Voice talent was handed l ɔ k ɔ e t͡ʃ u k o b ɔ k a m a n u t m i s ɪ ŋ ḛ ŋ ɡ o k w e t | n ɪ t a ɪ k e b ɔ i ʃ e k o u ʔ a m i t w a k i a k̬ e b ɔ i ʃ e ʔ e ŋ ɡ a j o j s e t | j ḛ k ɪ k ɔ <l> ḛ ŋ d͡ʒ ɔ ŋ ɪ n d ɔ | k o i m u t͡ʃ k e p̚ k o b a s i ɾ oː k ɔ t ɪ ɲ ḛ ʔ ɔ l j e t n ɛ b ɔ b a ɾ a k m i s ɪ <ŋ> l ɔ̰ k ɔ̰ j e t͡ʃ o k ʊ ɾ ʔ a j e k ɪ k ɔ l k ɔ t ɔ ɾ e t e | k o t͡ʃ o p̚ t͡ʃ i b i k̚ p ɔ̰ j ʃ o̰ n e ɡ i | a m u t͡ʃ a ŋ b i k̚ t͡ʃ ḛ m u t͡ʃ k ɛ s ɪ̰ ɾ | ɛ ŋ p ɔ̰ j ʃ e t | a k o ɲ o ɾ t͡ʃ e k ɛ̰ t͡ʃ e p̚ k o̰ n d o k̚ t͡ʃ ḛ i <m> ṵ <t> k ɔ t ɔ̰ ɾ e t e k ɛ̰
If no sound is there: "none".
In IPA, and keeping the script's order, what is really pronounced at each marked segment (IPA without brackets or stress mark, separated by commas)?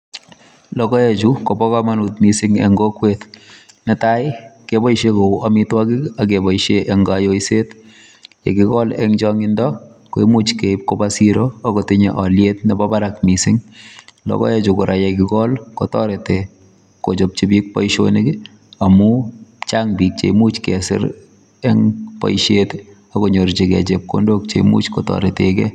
l, ŋ, m, t͡ʃ